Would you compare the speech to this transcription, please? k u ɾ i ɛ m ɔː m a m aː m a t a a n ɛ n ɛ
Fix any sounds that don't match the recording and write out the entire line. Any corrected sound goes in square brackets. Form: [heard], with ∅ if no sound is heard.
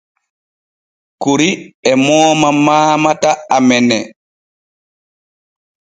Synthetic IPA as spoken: k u ɾ i ɛ m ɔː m a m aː m a t a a [m] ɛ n ɛ